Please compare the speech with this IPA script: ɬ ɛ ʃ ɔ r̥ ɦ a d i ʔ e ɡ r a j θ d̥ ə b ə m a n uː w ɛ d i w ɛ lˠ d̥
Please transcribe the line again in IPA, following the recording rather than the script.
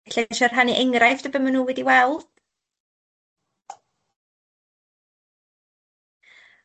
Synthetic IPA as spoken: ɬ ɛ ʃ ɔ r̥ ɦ a n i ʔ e ŋ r a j f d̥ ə b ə m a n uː w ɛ d i w ɛ lˠ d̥

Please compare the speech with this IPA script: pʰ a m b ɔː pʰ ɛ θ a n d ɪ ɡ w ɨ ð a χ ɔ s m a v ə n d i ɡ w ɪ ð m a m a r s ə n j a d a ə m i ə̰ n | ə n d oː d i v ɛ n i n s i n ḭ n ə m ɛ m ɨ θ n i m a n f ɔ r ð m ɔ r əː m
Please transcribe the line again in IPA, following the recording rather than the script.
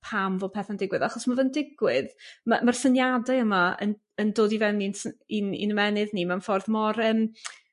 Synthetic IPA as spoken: pʰ a m v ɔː pʰ ɛ θ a n d ɪ ɡ w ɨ ð a χ ɔ s m a v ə n d ɪ ɡ w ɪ ð m a m a r s ə n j a d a ə m a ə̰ n | ə n d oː d i v ɛ n i n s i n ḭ n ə m ɛ n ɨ ð n i m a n f ɔ r ð m ɔ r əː m

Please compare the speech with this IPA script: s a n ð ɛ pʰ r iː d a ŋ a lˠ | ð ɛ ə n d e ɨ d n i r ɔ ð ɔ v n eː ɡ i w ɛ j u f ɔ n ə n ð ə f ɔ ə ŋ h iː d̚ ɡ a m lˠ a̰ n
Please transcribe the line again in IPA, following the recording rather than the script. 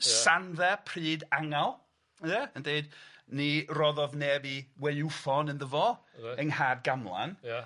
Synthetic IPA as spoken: s a n ð ɛ pʰ r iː d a ŋ a lˠ | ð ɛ ə n d e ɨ d n i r ɔ ð ɔ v n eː b i w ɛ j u f ɔ n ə n ð ə v ɔ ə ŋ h aː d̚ ɡ a m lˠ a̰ n

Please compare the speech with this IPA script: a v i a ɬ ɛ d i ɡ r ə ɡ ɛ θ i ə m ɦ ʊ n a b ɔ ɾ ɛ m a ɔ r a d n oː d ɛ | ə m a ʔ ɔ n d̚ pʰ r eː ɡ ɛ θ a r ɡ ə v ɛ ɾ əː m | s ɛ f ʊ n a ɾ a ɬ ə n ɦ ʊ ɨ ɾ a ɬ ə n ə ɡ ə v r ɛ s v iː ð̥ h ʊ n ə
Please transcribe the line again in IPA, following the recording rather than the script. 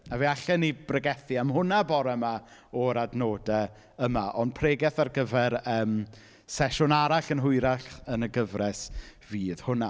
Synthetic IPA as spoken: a v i a ɬ ɛ n i b r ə ɡ ɛ θ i a m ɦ ʊ n a b ɔ ɾ ɛ m a ɔ ɾ a d n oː d ɛ | ə m a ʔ ɔ n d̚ pʰ r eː ɡ ɛ θ a r ɡ ə v ɛ ɾ əː m | s ɛ ʃ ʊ n a ɾ a ɬ ə n ɦ ʊ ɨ ɾ a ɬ ə n ə ɡ ə v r ɛ s v iː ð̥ h ʊ n a

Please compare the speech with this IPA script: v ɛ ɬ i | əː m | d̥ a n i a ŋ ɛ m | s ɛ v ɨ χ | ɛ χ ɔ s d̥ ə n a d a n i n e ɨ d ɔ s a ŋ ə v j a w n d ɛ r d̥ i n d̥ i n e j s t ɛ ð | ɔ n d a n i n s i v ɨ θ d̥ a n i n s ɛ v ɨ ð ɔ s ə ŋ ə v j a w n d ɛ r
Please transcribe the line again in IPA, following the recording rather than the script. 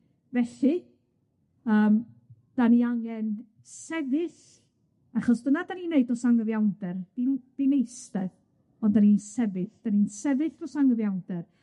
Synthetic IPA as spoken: v ɛ ɬ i | əː m | d̥ a n i a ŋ ɛ n | s ɛ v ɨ θ | a χ ɔ s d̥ ə n a d a n i n e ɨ d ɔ s a ŋ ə v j a w n d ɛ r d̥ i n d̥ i n e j s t ɛ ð | ɔ n d a n i n s ɛ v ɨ θ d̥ a n i n s ɛ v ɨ θ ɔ s a ŋ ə v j a w n d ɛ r

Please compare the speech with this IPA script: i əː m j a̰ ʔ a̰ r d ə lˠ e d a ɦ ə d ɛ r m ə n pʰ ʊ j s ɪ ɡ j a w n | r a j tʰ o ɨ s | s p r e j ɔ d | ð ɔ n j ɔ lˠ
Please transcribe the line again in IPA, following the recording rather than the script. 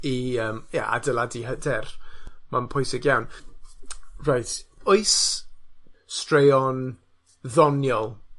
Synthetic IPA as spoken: i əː m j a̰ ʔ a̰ d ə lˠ a d i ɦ ə d ɛ r m a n pʰ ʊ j s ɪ ɡ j a w n | r a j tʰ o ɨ s | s t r e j ɔ n | ð ɔ n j ɔ lˠ

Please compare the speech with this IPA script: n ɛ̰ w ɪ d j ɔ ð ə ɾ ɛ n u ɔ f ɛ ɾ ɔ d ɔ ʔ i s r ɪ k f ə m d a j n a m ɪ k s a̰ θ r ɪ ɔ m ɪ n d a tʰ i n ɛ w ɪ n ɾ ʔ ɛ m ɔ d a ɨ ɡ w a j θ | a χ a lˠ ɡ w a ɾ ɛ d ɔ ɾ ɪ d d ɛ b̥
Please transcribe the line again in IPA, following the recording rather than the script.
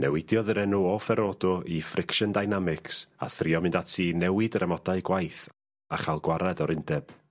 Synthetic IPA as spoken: n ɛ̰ w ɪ d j ɔ ð ə ɾ ɛ n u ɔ f ɛ ɾ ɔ d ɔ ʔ i f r ɪ k ʃ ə n d a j n a m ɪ k s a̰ θ r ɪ ɔ m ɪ n d a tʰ i n ɛ w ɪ d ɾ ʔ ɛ m ɔ d a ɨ ɡ w a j θ | a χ a lˠ ɡ w a ɾ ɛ d ɔ ɾ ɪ n d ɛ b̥

